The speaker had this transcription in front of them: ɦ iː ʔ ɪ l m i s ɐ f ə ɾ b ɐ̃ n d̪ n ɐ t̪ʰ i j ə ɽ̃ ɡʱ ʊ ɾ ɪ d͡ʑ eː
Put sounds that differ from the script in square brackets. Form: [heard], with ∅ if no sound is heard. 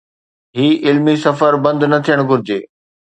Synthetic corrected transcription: ɦ iː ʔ ɪ l m i s ɐ f ə ɾ b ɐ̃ n d̪ n ɐ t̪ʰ i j ə ɽ̃ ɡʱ ʊ ɾ ɪ d͡ʑ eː